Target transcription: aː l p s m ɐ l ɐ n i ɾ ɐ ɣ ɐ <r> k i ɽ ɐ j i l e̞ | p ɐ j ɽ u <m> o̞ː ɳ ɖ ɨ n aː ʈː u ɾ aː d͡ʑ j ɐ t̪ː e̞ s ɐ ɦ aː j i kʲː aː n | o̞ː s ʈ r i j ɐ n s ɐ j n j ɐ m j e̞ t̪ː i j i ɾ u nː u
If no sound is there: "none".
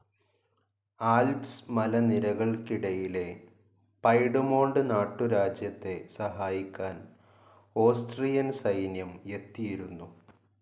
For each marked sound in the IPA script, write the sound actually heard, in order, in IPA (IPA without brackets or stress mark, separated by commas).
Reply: ɭ, m